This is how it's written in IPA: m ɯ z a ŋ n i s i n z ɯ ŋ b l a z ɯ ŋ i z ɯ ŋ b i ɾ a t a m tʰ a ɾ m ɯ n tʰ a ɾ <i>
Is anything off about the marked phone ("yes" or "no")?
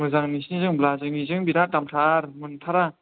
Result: yes